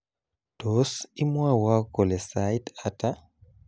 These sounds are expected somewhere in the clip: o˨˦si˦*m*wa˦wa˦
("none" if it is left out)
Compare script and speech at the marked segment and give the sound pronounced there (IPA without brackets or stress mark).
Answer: m